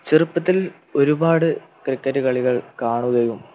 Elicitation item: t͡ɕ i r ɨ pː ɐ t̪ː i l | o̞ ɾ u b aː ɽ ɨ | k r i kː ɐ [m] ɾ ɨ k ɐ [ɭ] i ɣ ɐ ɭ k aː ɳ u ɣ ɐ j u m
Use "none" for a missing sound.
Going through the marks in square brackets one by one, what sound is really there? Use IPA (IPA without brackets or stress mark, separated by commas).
none, ɭ